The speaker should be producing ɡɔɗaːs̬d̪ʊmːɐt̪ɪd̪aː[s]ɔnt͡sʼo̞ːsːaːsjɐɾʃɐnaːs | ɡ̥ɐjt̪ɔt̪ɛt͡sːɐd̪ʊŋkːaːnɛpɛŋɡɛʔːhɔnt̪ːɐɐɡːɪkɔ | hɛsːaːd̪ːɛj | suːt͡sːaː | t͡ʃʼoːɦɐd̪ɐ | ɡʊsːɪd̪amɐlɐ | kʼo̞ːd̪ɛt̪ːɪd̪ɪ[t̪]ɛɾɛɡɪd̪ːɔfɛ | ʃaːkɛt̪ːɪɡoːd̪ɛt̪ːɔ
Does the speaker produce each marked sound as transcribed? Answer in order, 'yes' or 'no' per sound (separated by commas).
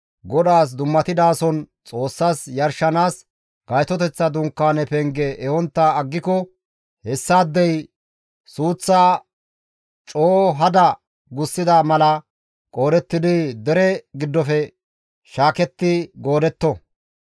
yes, no